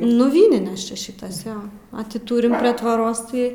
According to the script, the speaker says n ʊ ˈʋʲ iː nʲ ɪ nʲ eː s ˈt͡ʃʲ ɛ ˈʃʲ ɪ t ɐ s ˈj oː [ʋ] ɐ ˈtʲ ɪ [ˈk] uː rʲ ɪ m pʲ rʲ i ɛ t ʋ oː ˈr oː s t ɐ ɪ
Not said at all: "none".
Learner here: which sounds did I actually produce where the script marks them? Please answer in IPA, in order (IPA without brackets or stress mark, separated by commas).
none, t